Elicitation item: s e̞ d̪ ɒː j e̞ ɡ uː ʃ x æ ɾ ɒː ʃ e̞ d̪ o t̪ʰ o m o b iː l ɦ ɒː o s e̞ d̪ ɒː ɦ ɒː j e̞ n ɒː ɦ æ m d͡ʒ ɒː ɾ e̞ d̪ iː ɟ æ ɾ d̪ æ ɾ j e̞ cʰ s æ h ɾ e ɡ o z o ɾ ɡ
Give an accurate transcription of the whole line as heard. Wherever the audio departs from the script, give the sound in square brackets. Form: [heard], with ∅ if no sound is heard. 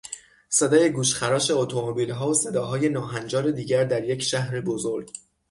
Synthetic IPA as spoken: s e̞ d̪ ɒː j e̞ ɡ uː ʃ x æ ɾ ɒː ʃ e̞ [∅] o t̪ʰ o m o b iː l ɦ ɒː o s e̞ d̪ ɒː ɦ ɒː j e̞ n ɒː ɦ æ [n] d͡ʒ ɒː ɾ e̞ d̪ iː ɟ æ ɾ d̪ æ ɾ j e̞ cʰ [ʃ] æ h ɾ e [b] o z o ɾ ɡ

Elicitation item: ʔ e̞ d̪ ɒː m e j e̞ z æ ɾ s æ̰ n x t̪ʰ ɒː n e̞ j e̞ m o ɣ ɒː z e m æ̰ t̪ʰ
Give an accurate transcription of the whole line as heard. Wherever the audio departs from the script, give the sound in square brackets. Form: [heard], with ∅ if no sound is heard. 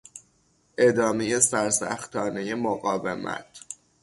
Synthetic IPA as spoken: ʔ e̞ d̪ ɒː m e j e̞ [s] æ ɾ s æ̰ [∅] x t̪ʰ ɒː n e̞ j e̞ m o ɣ ɒː [v] e m æ̰ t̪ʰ

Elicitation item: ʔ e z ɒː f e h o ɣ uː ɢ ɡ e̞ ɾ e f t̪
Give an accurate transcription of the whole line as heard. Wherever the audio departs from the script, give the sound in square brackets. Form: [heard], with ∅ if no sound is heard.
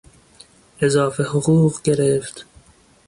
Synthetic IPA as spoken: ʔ e z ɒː f e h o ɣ uː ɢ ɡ e̞ ɾ e f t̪

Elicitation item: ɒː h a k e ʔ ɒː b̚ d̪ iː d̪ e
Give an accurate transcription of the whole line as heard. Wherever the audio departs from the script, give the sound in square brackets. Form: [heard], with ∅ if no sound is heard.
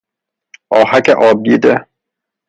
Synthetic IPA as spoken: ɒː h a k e ʔ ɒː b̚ d̪ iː d̪ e

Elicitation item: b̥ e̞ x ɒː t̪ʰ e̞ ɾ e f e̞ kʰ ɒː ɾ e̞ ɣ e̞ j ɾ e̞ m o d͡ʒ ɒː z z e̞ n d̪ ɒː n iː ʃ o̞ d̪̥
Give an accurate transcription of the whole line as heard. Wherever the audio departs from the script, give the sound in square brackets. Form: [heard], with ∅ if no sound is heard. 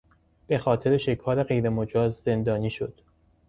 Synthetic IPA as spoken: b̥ e̞ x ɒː t̪ʰ e̞ ɾ e [ʃ] e̞ kʰ ɒː ɾ e̞ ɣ e̞ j ɾ e̞ m o d͡ʒ ɒː z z e̞ n d̪ ɒː n iː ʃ o̞ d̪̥

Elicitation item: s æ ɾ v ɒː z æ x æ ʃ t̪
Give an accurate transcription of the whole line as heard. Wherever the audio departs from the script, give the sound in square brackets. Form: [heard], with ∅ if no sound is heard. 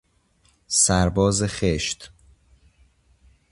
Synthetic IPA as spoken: s æ ɾ [b] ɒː z [e] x [e] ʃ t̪

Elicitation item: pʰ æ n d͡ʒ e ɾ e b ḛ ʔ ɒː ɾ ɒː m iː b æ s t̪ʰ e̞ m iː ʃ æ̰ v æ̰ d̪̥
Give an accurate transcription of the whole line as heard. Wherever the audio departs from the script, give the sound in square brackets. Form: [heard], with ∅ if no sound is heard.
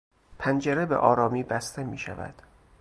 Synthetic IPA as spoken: pʰ æ n d͡ʒ e ɾ e b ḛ ʔ ɒː ɾ ɒː m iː b æ s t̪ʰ e̞ m iː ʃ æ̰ v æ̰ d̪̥

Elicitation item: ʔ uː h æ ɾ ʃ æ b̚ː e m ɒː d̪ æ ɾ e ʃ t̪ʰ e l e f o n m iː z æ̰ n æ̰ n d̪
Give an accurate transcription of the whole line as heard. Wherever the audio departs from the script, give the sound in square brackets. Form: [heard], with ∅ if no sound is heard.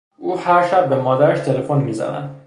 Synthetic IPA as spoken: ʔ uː h æ ɾ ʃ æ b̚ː e m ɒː d̪ æ ɾ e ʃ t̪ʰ e l e f o n m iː z æ̰ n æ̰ n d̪

